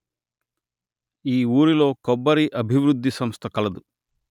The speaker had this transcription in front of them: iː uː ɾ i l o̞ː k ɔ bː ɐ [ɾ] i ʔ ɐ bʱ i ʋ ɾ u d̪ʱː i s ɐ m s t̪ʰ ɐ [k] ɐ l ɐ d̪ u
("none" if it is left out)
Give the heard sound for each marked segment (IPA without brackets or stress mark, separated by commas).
ɾ, k